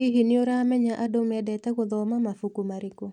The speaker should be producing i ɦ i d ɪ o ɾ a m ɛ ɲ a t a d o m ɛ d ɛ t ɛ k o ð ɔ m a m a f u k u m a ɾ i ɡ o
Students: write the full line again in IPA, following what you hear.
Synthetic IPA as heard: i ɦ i n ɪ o ɾ a m ɛ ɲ a ʔ a d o m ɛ d ɛ t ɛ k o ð ɔ m a m a f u k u m a ɾ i k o